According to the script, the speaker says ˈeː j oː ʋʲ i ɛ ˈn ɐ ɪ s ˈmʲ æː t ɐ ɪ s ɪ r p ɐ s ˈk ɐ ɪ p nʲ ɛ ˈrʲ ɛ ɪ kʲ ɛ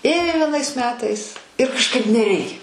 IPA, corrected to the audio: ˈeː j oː ʋʲ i ɛ ˈn ɐ ɪ s ˈmʲ æː t ɐ ɪ s ɪ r k ɐ ʃ ˈk ɐ ɪ p nʲ ɛ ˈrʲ ɛ ɪ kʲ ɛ